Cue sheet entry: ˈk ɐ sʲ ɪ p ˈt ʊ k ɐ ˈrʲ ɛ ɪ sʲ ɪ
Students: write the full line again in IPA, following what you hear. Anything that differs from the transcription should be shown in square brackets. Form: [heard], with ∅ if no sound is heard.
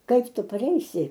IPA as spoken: ˈk ɐ [∅] ɪ p ˈt ʊ [p] ɐ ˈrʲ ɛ ɪ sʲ ɪ